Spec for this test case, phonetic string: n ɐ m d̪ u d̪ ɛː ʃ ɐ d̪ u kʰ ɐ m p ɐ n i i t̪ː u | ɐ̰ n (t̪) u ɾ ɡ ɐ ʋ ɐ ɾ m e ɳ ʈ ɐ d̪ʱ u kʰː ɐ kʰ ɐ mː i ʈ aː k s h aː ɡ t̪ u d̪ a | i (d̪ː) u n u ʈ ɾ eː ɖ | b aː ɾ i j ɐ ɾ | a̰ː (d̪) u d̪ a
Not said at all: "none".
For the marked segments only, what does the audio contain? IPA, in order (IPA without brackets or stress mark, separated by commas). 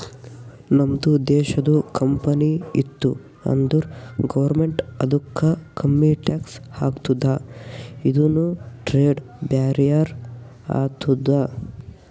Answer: d̪, d̪, t̪